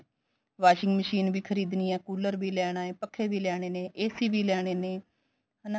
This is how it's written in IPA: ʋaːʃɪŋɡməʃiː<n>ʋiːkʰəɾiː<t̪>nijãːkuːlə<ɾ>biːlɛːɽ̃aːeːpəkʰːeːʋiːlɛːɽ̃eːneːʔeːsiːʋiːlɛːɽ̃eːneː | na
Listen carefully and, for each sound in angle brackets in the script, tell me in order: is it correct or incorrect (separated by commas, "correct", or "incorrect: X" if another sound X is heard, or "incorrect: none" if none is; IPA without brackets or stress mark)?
correct, incorrect: d̪, correct